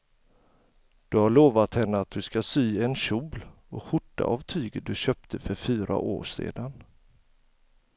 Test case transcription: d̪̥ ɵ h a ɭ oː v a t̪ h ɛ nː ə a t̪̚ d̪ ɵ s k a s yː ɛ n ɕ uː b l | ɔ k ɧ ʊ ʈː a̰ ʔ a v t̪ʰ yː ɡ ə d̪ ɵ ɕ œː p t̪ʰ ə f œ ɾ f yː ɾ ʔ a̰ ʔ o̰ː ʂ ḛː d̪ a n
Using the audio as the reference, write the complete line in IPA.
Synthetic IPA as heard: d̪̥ ɵ h a ɭ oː v a t̪ h ɛ nː ə a t̪̚ d̪ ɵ s k a s yː ɛ n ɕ uː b l | ɔ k ɧ ʊ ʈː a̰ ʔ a v t̪ʰ yː ɡ ə d̪ ɵ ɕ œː p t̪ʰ ə f œ ɾ f yː ɾ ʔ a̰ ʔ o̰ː ʂ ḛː d̪ a n